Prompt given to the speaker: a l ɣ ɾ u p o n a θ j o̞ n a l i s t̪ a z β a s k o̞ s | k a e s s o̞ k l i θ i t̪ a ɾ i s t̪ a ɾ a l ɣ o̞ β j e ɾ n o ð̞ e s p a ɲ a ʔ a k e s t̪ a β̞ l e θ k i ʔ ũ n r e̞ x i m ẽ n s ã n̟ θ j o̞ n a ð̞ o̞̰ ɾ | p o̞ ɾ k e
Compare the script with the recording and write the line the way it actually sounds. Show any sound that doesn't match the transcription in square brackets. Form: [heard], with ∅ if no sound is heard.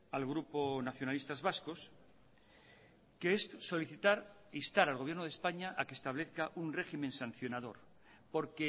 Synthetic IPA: a l ɣ ɾ u p o n a θ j o̞ n a l i s t̪ a z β a s k o̞ s | k [e] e s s o̞ [∅] l i θ i t̪ a ɾ i s t̪ a ɾ a l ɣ o̞ β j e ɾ n o ð̞ e s p a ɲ a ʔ a k e s t̪ a β̞ l e θ k [a] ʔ [u] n r e̞ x i m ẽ n s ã n̟ θ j o̞ n a ð̞ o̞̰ ɾ | p o̞ ɾ k e